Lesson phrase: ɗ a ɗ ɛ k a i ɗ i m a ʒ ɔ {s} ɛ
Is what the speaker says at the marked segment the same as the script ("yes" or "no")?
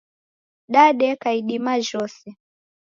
yes